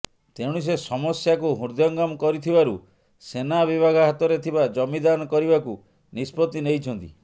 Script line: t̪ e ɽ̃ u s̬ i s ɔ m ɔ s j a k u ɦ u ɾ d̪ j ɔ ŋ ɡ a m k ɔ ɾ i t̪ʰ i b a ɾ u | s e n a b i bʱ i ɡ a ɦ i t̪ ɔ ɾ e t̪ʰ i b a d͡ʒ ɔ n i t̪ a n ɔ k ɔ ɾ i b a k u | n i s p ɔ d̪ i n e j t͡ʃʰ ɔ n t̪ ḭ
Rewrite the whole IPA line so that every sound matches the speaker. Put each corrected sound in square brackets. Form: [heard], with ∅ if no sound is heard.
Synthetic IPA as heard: t̪ e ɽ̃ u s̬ [e] s ɔ m ɔ s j a k u ɦ u ɾ d̪ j ɔ ŋ ɡ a m k ɔ ɾ i t̪ʰ i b a ɾ u | s e n a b i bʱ [a] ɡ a ɦ [a] t̪ ɔ ɾ e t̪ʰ i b a d͡ʒ ɔ [m] i [d̪] a n ɔ k ɔ ɾ i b a k u | n i s p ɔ [t̪] i n e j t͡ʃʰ ɔ n t̪ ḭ